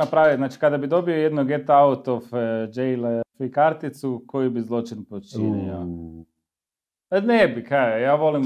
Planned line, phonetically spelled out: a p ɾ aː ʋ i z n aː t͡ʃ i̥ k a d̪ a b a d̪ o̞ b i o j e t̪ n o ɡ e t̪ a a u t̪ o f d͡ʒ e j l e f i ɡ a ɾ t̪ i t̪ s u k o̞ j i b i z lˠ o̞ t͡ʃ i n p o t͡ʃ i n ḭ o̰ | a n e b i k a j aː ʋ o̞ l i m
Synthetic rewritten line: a p ɾ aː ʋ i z n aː t͡ʃ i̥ k a d̪ a b i d̪ o̞ b i o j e d̪ n o ɡ e t̪ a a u t̪ o f d͡ʒ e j l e f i k a ɾ t̪ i t̪ s u k o̞ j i b i z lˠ o̞ t͡ʃ i n p o t͡ʃ i n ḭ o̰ | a n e b i k a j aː ʋ o̞ l i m